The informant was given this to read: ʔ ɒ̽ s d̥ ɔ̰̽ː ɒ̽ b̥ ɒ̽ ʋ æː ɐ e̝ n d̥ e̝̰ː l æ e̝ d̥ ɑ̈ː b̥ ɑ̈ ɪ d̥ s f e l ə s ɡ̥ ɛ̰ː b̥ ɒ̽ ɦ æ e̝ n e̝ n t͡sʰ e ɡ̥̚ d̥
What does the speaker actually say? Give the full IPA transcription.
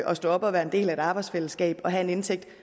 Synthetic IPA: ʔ ɒ̽ s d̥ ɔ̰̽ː ɒ̽ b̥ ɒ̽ ʋ æː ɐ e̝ n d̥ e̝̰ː l æ e̝ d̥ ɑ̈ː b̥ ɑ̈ ɪ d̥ s f e l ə s ɡ̥ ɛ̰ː b̥ ɒ̽ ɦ æ e̝ n e̝ n t͡sʰ e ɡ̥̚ d̥

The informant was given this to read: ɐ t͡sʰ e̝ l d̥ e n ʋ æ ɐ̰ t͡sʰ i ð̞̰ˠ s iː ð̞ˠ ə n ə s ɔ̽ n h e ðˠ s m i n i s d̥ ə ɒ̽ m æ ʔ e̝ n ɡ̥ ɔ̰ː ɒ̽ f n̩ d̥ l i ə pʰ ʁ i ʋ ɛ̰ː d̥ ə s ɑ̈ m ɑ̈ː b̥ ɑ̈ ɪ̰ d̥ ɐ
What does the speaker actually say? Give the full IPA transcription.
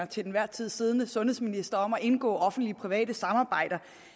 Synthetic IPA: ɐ t͡sʰ e̝ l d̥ e n ʋ æ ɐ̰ t͡sʰ i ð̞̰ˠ s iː ð̞ˠ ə n ə s ɔ̽ n h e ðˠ s m i n i s d̥ ɐ ɒ̽ m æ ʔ e̝ n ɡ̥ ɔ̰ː ɒ̽ f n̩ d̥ l i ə pʰ ʁ i ʋ ɛ̰ː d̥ ə s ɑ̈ m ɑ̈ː b̥ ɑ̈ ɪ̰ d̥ ɐ

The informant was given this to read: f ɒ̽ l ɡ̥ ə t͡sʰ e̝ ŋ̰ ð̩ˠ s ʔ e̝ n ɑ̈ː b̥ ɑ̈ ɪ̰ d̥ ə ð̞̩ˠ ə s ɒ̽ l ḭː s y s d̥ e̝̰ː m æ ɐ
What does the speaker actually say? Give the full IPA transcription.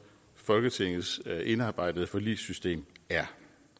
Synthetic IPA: f ɒ̽ l ɡ̥ ə t͡sʰ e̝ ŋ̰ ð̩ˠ s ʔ e̝ n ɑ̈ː b̥ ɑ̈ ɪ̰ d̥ ə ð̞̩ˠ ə f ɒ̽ l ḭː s y s d̥ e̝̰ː m æ ɐ

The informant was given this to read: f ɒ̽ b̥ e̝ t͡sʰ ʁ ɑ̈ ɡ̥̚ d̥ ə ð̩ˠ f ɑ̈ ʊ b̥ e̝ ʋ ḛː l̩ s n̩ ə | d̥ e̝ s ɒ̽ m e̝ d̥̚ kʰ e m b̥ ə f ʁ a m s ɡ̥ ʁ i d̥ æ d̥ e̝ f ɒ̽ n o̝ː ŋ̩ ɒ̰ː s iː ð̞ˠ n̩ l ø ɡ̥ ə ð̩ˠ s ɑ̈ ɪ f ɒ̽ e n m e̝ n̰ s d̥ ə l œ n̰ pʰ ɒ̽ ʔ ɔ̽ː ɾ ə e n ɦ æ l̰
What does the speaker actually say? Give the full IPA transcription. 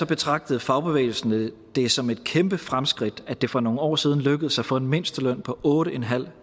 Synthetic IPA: s ɒ̽ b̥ e̝ t͡sʰ ʁ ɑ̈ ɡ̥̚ d̥ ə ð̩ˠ f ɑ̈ ʊ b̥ e̝ ʋ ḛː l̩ s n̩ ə | d̥ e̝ s ɒ̽ m e̝ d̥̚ kʰ e m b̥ ə f ʁ a m s ɡ̥ ʁ i d̥ æ d̥ e̝ f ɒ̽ n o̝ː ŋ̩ ɒ̰ː s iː ð̞ˠ n̩ l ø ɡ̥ ə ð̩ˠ s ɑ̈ ɪ f ɒ̽ e n m e̝ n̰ s d̥ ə l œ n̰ pʰ ɒ̽ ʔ ɔ̽ː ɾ ə e n ɦ æ l̰

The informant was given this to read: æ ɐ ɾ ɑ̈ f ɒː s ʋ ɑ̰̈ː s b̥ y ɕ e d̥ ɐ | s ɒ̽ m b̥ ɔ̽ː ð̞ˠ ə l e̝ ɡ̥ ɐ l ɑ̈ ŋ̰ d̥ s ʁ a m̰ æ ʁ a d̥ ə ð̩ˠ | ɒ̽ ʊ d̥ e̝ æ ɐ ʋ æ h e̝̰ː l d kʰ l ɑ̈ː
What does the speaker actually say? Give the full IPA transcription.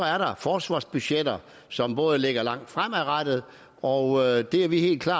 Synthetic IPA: æ ɐ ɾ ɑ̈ f ɒː s ʋ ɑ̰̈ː s b̥ y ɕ e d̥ ɐ | s ɒ̽ m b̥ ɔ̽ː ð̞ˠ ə l e̝ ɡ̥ ɐ l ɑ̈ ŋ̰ d̥ f ʁ a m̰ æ ʁ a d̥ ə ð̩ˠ | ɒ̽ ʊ d̥ e̝ æ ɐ ʋ i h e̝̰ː l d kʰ l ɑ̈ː

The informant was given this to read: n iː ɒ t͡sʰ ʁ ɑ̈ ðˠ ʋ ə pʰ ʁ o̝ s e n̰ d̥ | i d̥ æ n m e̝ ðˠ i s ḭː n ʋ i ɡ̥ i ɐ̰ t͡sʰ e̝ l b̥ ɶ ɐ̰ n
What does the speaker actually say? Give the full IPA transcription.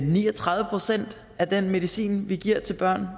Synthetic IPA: n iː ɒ t͡sʰ ʁ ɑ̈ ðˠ ʋ ə pʰ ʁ o̝ s e n̰ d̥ | æ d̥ e n m e̝ ðˠ i s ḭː n ʋ i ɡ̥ i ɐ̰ t͡sʰ e̝ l b̥ ɶ ɐ̰ n

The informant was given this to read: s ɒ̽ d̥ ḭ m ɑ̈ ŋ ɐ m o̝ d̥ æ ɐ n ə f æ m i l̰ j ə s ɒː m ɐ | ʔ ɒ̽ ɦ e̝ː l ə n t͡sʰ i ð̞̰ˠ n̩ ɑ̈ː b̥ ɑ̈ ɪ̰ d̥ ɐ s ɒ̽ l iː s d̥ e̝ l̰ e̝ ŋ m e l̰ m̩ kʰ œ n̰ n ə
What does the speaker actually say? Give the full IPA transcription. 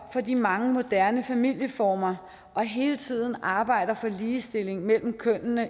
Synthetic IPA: f ɒ̽ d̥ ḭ m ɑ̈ ŋ ə m o̝ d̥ æ ɐ n ə f æ m i l̰ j ə f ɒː m ɐ | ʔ ɒ̽ ɦ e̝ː l ə t͡sʰ i ð̞̰ˠ n̩ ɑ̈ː b̥ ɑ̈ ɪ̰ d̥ ɐ f ɒ̽ l iː s d̥ e̝ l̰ e̝ ŋ m e l̰ m̩ kʰ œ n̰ n ə

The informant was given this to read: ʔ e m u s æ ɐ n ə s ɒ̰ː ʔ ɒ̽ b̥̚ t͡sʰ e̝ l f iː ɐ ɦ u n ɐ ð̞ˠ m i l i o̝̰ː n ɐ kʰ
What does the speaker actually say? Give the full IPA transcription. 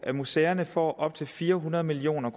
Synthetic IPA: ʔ æ m u s e ɐ n ə f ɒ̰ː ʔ ɒ̽ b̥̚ t͡sʰ e̝ l f iː ɐ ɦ u n ɐ ð̞ˠ m i l i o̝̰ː n ɐ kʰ

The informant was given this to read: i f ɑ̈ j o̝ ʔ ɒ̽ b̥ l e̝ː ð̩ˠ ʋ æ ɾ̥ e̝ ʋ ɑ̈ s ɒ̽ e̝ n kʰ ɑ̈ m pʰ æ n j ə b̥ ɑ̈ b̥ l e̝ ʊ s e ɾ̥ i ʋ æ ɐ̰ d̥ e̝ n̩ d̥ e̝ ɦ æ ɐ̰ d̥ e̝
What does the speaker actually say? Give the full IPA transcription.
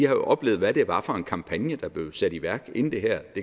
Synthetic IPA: i h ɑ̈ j o̝ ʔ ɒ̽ b̥ l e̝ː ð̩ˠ ʋ æ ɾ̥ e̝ ʋ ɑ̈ f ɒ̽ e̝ n kʰ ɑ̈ m pʰ æ n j ə d̥ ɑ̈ b̥ l e̝ ʊ s æ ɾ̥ i ʋ æ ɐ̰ ɡ̥ e̝ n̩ d̥ e̝ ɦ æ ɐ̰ d̥ e̝

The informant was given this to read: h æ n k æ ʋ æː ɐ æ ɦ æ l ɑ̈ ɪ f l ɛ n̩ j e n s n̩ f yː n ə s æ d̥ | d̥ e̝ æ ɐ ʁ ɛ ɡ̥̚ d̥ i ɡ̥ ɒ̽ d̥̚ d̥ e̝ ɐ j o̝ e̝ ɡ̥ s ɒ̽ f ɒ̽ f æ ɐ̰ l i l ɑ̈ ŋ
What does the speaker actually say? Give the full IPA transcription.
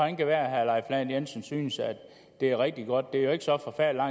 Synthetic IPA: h æ n k æ ʋ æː ɐ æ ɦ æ l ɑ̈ ɪ f l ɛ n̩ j e n s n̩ s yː n ə s æ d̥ | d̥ e̝ æ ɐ ʁ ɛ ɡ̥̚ d̥ i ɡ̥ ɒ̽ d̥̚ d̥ e̝ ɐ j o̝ e̝ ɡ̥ s ɒ̽ f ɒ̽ f æ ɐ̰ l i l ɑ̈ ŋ

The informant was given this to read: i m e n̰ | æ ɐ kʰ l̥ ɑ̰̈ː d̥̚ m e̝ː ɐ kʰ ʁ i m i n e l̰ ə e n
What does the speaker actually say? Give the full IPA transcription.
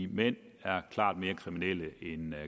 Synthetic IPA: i m e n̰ | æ ɐ kʰ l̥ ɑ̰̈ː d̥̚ m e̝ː ɐ kʰ ʁ i m i n e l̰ ə e n

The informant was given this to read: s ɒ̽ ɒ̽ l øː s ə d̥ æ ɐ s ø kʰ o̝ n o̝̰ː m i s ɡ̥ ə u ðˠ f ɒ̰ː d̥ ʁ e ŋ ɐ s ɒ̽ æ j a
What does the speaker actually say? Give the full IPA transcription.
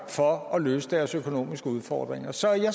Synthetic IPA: f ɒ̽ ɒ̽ l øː s ə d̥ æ ɐ s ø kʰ o̝ n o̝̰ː m i s ɡ̥ ə u ðˠ f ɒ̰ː d̥ ʁ e ŋ ɐ s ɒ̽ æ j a

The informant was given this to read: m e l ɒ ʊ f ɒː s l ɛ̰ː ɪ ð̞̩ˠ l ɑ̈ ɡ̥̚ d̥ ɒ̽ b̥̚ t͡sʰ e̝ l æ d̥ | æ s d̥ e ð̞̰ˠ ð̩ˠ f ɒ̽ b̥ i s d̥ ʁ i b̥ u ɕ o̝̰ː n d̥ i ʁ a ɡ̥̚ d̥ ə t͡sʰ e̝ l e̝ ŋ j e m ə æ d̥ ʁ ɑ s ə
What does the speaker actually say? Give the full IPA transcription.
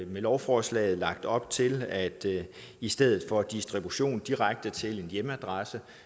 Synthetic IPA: m e l ɒ ʊ f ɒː s l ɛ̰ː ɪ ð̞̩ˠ l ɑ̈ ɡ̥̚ d̥ ɒ̽ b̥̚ t͡sʰ e̝ l æ d̥ | i s d̥ e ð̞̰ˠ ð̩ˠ f ɒ̽ d̥ i s d̥ ʁ i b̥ u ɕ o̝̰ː n d̥ i ʁ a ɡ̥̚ d̥ ə t͡sʰ e̝ l e̝ n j e m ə æ d̥ ʁ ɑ s ə

